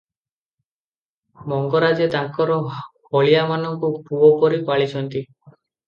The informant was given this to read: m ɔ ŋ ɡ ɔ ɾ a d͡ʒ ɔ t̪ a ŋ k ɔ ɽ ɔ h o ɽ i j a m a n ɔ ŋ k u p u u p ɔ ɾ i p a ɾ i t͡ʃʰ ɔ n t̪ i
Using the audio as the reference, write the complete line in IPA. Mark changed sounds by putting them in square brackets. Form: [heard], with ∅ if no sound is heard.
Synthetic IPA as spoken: m ɔ ŋ ɡ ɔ ɾ a d͡ʒ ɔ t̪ a ŋ k ɔ [ɾ] ɔ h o [ɭ] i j a m a n ɔ ŋ k u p u [ɔ] p ɔ ɾ i p a [ɭ] i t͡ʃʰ ɔ n t̪ i

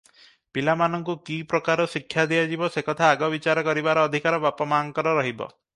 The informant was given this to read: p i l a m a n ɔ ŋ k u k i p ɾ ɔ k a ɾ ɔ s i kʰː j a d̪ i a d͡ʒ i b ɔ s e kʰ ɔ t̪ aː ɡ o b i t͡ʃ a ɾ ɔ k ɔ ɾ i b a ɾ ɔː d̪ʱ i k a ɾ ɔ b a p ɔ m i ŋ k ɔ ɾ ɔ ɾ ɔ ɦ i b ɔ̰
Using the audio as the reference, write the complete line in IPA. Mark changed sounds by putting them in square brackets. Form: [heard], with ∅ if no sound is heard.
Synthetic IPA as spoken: p i l a m a n ɔ ŋ k u k i p ɾ ɔ k a ɾ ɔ s i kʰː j a d̪ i a d͡ʒ i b ɔ s e [k] ɔ [t̪ʰ] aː ɡ [ɔ] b i t͡ʃ a ɾ ɔ k ɔ ɾ i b a ɾ ɔː d̪ʱ i k a ɾ ɔ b a p ɔ m [a] ŋ k ɔ ɾ ɔ ɾ ɔ ɦ i b ɔ̰

